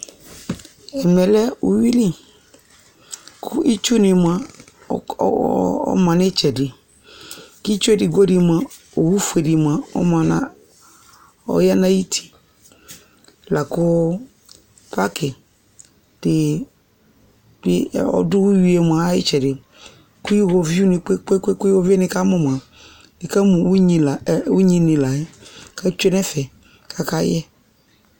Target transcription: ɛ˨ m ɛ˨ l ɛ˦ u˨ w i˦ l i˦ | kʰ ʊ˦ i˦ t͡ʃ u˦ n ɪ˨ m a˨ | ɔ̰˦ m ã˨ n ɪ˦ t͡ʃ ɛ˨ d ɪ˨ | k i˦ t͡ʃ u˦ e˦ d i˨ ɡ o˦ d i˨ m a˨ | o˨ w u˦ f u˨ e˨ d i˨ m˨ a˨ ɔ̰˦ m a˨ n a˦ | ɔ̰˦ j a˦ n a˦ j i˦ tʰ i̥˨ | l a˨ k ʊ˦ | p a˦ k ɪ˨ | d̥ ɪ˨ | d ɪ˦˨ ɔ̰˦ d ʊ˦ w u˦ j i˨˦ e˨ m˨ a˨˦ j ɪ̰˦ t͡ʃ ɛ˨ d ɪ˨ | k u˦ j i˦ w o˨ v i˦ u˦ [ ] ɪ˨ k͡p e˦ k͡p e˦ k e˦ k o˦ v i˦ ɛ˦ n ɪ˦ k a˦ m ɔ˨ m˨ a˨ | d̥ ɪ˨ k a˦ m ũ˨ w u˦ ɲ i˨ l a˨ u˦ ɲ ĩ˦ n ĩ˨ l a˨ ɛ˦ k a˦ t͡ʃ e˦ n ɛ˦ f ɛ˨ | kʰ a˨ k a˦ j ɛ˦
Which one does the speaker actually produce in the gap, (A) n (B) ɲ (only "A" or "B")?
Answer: A